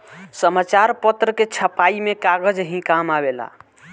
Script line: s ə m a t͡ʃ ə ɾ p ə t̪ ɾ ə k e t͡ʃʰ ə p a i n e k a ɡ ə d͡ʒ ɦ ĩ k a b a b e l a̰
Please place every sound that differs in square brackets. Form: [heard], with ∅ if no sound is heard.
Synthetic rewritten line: s ə m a t͡ʃ [a] ɾ p ə t̪ ɾ ə k e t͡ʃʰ ə p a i [m] e k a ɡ ə d͡ʒ ɦ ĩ k a [m] a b e l a̰